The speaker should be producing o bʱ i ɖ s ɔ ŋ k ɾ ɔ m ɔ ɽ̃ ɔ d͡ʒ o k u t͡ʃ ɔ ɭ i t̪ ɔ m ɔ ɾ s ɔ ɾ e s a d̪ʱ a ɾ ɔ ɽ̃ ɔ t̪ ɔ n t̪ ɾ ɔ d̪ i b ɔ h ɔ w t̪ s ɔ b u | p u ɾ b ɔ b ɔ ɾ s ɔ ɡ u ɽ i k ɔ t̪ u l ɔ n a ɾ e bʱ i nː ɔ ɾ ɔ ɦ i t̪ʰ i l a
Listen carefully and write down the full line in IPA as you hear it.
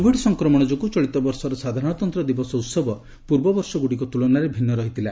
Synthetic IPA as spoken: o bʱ i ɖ s ɔ ŋ k ɾ ɔ m ɔ ɽ̃ ɔ d͡ʒ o k u t͡ʃ ɔ ɭ i t̪ ɔ b ɔ ɾ s ɔ ɾ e s a d̪ʱ a ɾ ɔ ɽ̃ ɔ t̪ ɔ n t̪ ɾ ɔ d̪ i b ɔ s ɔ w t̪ s ɔ b ɔ | p u ɾ b ɔ b ɔ ɾ s ɔ ɡ u ɽ i k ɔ t̪ u l ɔ n a ɾ e bʱ i nː ɔ ɾ ɔ ɦ i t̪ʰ i l a